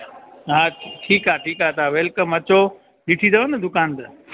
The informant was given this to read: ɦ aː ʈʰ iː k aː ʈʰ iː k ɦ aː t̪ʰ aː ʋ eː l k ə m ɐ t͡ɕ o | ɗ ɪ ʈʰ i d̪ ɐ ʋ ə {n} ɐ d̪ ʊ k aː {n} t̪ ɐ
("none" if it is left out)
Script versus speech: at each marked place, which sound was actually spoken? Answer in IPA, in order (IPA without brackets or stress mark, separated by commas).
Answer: n, n